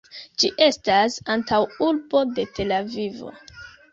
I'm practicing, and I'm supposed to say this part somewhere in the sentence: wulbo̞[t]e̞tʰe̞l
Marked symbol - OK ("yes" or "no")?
no